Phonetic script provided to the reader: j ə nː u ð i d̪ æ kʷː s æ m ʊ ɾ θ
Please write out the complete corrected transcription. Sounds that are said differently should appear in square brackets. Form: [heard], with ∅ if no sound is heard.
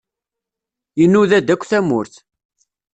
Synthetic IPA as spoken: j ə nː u ð [æ] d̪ æ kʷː [θ] æ m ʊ ɾ θ

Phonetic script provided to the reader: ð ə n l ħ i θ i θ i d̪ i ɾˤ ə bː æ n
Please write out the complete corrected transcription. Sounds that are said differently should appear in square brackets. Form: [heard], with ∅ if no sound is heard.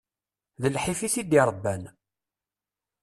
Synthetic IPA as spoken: ð ə [∅] l ħ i [f] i θ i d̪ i ɾˤ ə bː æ n

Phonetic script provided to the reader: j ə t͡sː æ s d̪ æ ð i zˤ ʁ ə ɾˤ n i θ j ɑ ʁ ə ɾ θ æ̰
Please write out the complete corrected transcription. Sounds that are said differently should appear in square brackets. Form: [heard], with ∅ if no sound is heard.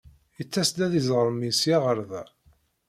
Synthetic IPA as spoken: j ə t͡sː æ s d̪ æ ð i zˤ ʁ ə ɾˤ [m] i [s] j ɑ ʁ ə ɾ [ð] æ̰

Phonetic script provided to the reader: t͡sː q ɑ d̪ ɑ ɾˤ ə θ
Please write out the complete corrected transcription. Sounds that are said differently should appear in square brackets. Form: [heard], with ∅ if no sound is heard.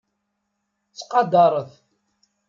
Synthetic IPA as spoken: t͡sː q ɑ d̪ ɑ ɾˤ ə θ

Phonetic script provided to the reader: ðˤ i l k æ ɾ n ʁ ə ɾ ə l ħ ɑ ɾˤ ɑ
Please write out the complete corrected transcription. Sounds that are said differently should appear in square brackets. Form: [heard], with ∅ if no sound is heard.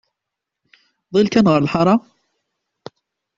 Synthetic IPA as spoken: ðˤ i l k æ [∅] n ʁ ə ɾ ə l ħ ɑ ɾˤ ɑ

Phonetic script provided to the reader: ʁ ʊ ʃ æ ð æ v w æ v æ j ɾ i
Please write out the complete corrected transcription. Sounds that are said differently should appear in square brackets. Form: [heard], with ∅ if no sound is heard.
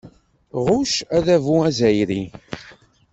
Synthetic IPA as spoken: ʁ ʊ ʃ æ ð æ v [u] æ [z] æ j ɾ i

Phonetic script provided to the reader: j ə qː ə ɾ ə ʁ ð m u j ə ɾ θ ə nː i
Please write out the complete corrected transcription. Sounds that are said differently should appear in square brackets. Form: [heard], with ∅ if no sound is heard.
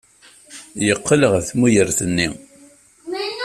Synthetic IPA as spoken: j ə qː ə [l] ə ʁ [θ] m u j ə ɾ θ ə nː i

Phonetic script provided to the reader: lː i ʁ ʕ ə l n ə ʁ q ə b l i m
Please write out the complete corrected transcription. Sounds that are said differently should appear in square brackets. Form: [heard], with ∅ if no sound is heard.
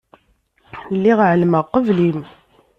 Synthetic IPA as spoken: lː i ʁ ʕ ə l [m] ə ʁ q ə [v] l i m

